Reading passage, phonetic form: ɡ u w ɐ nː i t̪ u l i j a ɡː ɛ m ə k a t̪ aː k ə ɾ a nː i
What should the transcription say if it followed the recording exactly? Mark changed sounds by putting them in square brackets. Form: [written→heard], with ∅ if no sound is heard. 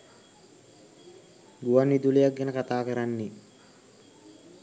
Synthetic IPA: ɡ u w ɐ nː i [t̪→d̪] u l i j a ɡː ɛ [m→n] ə k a t̪ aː k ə ɾ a nː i